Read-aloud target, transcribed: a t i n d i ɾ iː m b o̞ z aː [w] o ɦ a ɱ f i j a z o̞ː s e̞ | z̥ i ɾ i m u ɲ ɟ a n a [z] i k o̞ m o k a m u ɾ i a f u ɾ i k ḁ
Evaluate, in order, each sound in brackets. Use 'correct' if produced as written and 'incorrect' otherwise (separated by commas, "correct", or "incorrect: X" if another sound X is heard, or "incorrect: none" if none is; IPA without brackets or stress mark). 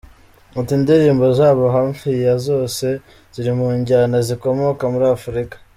incorrect: β, correct